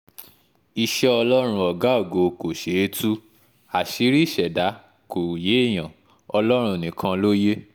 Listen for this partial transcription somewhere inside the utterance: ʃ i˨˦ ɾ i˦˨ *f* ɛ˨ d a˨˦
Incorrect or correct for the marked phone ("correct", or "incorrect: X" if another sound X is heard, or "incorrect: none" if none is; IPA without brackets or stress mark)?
incorrect: ʃ